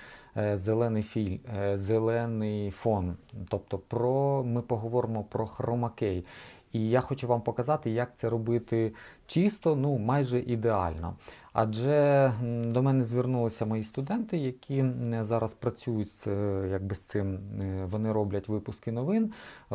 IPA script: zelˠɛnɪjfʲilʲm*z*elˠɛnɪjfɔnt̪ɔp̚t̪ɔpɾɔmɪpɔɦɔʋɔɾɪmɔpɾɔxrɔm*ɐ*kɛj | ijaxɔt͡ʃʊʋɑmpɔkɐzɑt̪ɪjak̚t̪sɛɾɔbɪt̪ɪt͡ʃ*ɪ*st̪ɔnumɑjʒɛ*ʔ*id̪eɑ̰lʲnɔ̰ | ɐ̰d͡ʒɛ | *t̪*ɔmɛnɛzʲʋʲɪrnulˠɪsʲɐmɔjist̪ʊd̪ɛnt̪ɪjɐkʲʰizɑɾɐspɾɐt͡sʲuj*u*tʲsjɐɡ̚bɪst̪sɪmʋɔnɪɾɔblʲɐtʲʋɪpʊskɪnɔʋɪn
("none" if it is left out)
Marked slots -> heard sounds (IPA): z, ɐ, i, ʔ, d̪, ʊ

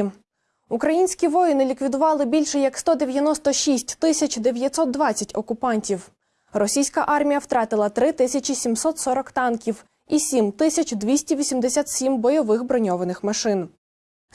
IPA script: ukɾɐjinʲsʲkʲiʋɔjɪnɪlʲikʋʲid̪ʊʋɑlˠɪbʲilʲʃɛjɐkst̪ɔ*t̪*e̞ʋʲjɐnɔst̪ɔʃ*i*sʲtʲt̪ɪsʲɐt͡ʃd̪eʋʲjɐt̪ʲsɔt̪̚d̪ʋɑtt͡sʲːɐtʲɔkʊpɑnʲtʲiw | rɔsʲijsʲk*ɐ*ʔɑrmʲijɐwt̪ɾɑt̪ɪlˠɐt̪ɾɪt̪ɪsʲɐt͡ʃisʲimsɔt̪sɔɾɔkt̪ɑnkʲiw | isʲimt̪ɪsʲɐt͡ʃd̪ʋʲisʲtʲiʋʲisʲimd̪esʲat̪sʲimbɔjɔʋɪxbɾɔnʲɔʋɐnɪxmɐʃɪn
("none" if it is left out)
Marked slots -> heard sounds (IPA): d̪, i, ɐ

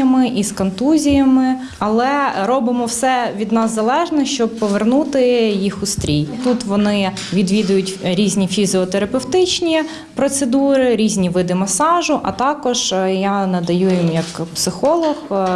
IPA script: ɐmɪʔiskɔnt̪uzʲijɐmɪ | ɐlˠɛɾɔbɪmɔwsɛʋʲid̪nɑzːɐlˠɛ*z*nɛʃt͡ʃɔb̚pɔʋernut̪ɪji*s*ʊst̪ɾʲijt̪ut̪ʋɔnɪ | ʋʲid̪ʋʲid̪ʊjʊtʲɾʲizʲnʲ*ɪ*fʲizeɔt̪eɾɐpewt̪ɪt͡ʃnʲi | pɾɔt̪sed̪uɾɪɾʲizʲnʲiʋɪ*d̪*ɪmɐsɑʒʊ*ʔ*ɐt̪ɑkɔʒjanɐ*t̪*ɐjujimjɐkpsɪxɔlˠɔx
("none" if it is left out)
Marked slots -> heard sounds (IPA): ʒ, x, i, d̪, ʔ, d̪

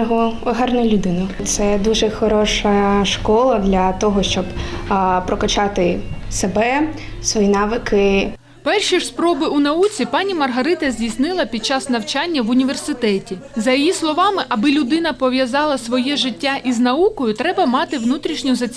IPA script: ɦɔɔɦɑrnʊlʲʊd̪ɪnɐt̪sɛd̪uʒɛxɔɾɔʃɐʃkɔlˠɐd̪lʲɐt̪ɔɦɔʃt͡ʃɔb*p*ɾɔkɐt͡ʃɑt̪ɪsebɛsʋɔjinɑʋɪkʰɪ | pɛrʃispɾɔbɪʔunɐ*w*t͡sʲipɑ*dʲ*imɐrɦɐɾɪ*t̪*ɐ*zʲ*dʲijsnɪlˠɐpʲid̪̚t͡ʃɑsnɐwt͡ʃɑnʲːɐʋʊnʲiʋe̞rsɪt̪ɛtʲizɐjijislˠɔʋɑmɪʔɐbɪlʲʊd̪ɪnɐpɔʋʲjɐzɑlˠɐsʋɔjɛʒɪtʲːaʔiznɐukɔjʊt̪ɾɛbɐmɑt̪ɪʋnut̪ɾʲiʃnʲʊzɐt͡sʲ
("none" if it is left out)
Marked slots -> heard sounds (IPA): p, u, nʲ, t̪, zʲ

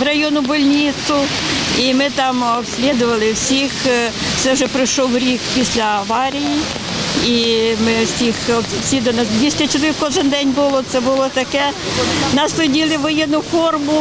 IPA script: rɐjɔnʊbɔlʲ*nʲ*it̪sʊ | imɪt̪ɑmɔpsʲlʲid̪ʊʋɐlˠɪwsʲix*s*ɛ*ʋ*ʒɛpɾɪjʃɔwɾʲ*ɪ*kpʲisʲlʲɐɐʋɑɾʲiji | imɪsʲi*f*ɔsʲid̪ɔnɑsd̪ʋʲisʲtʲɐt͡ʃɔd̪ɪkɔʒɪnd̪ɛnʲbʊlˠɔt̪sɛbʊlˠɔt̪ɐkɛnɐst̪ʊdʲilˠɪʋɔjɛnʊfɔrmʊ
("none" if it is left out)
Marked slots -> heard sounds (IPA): nʲ, s, w, i, x

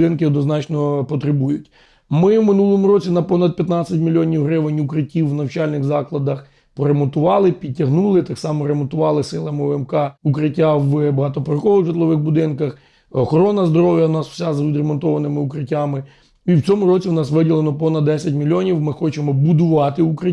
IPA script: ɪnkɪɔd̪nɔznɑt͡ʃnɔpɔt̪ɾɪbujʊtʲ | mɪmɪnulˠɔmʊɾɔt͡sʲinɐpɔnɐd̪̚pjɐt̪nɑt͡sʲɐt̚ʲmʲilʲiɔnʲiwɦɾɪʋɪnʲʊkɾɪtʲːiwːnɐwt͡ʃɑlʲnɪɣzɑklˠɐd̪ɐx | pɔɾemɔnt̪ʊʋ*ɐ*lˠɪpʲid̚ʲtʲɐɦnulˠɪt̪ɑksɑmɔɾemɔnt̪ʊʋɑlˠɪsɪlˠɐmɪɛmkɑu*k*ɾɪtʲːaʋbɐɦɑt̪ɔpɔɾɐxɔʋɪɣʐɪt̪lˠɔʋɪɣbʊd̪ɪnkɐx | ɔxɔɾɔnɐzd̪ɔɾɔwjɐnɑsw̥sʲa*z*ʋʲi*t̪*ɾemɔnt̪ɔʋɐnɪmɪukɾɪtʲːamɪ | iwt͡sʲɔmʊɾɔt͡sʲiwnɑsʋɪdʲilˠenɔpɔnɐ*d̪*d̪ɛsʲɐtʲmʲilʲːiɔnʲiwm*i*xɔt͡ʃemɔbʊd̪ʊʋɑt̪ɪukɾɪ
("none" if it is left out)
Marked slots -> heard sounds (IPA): ɑ, k, z, d̪, d̪, ɪ

